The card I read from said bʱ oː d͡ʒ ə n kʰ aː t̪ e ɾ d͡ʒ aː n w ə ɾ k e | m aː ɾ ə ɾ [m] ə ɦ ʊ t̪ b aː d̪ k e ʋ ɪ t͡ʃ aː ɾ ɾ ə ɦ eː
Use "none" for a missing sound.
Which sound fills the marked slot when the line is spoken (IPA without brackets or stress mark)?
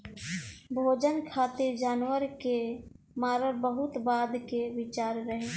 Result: b